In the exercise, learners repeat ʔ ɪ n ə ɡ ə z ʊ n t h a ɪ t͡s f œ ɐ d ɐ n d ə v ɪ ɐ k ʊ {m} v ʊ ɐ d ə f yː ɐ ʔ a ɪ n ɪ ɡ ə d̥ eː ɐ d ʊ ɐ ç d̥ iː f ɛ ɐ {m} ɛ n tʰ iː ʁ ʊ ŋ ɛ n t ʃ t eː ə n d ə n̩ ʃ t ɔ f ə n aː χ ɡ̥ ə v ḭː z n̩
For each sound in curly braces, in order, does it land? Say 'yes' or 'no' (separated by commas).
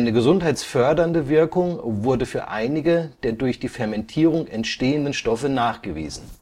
no, yes